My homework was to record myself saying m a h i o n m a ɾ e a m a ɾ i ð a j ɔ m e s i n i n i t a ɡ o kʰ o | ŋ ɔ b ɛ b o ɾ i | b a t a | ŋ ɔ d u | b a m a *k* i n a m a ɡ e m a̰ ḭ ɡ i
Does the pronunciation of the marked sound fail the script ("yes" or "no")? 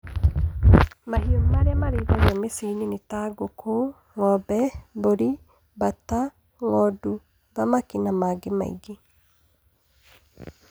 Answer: no